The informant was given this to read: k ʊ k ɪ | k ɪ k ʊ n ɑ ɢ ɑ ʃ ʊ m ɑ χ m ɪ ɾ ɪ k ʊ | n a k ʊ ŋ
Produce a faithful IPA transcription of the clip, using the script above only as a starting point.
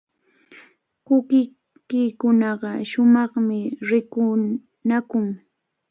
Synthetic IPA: k ʊ k ɪ | k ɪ k ʊ n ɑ ɢ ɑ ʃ ʊ m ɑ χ m ɪ ɾ ɪ k ʊ | n a k ʊ ŋ